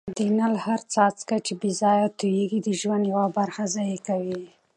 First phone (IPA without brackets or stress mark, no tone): d̪